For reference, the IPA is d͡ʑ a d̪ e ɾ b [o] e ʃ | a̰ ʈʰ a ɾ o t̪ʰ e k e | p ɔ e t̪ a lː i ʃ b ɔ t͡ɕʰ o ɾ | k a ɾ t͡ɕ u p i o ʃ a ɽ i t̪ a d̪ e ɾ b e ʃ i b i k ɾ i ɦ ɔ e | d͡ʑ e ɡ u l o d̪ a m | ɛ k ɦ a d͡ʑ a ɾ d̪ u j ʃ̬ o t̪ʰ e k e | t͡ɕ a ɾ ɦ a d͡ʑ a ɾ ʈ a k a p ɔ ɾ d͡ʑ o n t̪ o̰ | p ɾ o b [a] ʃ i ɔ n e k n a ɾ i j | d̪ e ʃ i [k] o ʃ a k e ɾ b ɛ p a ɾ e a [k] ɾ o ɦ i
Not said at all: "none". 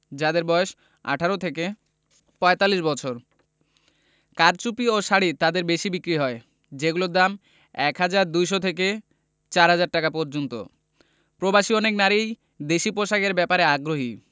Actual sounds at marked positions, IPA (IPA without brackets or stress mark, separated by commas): ɔ, a, p, ɡ